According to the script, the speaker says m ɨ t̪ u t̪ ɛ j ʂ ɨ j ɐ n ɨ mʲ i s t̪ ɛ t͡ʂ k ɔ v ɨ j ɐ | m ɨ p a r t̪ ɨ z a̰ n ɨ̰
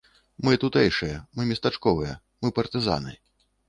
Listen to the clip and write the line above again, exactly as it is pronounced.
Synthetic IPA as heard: m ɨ t̪ u t̪ ɛ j ʂ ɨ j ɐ m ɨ mʲ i s t̪ a t͡ʂ k ɔ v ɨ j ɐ | m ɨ p ɐ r t̪ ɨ z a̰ n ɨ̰